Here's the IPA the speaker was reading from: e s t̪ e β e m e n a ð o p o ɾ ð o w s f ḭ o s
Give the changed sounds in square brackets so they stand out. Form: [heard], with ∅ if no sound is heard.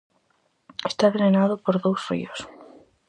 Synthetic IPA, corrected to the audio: e s t̪ [a] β e [n] e n a ð o p o ɾ ð o w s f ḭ o s